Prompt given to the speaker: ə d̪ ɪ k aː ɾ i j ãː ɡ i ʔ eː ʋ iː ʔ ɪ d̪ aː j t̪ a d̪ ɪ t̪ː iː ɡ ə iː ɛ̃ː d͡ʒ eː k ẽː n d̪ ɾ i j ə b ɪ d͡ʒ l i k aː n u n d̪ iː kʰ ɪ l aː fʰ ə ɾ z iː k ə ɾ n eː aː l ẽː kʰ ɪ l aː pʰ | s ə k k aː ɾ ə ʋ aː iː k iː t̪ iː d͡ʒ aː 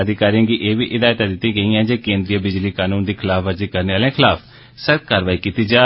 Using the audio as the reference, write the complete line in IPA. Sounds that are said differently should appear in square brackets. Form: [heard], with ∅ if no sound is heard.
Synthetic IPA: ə d̪ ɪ k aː ɾ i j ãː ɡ i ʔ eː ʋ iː ʔ ɪ d̪ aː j t̪ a d̪ ɪ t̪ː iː ɡ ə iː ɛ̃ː d͡ʒ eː k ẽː n d̪ ɾ i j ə b ɪ d͡ʒ l [iː] k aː n [uː] n d̪ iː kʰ ɪ l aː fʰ ə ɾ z iː k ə ɾ n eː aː l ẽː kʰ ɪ l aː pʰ | s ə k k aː ɾ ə ʋ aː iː k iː t̪ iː d͡ʒ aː